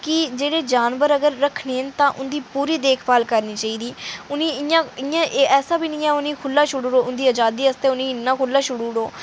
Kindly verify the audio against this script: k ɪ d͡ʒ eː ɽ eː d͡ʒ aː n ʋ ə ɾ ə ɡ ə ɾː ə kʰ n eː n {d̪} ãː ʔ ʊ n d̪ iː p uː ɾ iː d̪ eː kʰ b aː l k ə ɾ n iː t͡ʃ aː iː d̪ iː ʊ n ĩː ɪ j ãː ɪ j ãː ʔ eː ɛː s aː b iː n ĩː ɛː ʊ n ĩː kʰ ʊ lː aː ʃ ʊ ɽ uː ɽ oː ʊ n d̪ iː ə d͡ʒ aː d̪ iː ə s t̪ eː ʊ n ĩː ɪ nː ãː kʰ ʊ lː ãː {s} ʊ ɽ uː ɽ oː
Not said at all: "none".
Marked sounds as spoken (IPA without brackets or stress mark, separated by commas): t̪, ʃ